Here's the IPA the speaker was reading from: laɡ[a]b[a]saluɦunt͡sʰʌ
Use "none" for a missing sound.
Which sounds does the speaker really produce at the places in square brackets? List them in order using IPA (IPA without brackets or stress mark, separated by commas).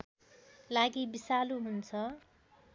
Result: i, i